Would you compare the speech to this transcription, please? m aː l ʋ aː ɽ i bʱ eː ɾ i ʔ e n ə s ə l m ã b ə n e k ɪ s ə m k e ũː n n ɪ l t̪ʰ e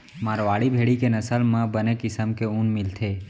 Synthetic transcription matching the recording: m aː ɾ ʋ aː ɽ i bʱ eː ɽ i k e n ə s ə l m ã b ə n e k ɪ s ə m k e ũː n m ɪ l t̪ʰ e